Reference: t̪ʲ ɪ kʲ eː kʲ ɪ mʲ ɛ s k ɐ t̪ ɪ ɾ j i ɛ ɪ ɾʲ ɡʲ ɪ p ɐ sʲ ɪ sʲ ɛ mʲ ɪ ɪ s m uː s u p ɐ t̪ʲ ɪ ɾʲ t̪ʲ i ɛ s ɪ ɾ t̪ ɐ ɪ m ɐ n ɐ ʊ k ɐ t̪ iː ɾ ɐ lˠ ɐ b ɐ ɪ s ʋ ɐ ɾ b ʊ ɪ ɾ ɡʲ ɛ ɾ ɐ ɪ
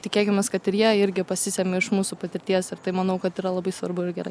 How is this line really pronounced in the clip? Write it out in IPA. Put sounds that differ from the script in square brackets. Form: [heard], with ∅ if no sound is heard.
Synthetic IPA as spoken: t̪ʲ ɪ kʲ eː kʲ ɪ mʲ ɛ s k ɐ t̪ ɪ ɾ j i ɛ ɪ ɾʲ ɡʲ ɪ p ɐ sʲ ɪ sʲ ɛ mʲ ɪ ɪ [ʃ] m uː s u p ɐ t̪ʲ ɪ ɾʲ t̪ʲ i ɛ s ɪ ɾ t̪ ɐ ɪ m ɐ n ɐ ʊ k ɐ t̪ iː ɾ ɐ lˠ ɐ b ɐ ɪ s ʋ ɐ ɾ b ʊ ɪ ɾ ɡʲ ɛ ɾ ɐ ɪ